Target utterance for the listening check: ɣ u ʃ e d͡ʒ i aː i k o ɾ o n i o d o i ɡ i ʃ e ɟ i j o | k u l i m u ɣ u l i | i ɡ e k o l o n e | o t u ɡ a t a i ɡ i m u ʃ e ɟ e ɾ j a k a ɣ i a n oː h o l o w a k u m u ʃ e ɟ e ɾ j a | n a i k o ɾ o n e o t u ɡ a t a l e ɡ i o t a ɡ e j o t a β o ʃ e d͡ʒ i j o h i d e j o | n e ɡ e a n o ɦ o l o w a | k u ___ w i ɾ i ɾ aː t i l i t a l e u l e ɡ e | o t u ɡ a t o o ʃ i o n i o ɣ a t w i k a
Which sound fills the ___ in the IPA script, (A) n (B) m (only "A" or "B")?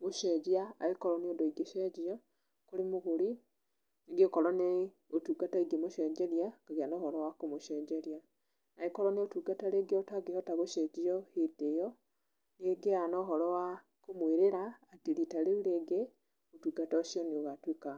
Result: B